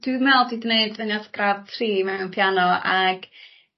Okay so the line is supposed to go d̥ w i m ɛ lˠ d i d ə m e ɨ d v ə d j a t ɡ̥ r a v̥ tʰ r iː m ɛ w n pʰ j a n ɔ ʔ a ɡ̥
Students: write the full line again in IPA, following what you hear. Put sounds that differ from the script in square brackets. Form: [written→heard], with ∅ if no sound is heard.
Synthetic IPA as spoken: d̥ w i m ɛ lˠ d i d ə [m→n] e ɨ d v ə [d→n] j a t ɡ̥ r a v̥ tʰ r iː m ɛ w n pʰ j a n ɔ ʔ a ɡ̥

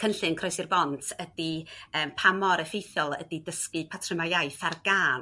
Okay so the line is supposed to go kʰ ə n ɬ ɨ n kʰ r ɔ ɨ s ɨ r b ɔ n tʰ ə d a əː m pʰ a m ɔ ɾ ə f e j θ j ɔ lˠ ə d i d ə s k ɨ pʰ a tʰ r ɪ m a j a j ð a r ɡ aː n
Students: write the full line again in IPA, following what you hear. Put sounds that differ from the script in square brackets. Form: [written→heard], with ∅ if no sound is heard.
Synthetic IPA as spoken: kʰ ə n ɬ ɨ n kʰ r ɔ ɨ s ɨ r b ɔ n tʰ ə d [a→i] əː m pʰ a m ɔ ɾ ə f e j θ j ɔ lˠ ə d i d ə s k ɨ pʰ a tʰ r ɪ m a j a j [ð→θ] a r ɡ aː n

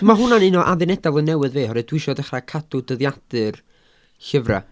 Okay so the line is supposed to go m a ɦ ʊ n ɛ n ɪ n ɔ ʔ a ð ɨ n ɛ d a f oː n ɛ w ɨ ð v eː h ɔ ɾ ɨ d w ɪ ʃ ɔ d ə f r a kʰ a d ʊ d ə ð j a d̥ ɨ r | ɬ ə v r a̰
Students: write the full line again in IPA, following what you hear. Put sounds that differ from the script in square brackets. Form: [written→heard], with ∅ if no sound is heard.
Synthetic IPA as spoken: m a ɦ ʊ n [ɛ→a] n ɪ n ɔ ʔ a ð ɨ n ɛ d a [f→v] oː n ɛ w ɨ ð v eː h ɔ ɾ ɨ d w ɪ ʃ ɔ d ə [f→χ] r a kʰ a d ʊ d ə ð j a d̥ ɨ r | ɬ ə v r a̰

